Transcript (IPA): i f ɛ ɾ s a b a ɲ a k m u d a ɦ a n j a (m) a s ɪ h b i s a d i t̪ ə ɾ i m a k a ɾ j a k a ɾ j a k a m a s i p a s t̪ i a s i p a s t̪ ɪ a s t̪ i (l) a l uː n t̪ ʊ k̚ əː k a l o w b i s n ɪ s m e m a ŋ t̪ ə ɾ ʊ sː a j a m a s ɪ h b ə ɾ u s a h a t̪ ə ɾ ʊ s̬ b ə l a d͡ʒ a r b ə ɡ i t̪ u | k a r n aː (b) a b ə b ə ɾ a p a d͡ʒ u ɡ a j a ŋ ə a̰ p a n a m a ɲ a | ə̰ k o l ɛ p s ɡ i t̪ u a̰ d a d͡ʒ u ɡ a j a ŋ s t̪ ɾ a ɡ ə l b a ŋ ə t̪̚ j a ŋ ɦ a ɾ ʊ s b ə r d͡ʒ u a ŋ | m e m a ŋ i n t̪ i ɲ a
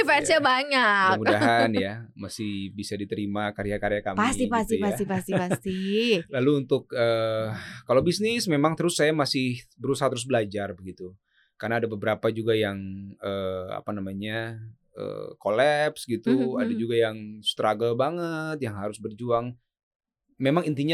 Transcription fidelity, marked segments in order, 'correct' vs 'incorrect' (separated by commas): correct, correct, incorrect